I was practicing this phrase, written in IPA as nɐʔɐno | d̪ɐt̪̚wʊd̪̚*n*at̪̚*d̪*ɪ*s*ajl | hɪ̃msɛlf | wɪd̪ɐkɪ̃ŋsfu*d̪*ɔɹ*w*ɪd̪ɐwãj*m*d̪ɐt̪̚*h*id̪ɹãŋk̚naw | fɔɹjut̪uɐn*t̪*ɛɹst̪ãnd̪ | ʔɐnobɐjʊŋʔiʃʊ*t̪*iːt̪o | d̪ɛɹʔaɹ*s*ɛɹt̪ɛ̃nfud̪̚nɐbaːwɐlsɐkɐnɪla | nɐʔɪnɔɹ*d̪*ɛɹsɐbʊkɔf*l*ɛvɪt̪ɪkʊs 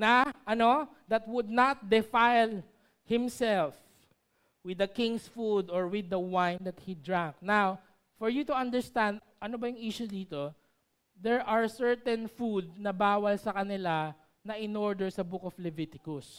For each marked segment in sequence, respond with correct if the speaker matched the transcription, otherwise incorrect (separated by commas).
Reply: correct, correct, incorrect, correct, correct, incorrect, correct, incorrect, incorrect, correct, correct, correct